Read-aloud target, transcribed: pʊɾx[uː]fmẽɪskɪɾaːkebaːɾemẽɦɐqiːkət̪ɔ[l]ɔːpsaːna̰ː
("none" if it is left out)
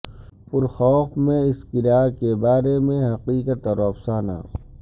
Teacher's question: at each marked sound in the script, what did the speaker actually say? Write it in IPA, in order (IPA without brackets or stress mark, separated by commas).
ɔː, ɾ